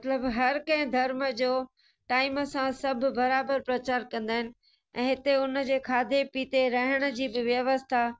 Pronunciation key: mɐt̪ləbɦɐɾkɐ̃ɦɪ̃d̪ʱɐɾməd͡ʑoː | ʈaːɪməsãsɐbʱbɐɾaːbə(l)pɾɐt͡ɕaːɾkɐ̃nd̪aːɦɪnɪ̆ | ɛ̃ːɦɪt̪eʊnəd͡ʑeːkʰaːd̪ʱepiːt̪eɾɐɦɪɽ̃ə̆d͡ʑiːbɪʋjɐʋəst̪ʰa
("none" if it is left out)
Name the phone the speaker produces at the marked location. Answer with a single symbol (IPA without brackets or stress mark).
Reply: ɾ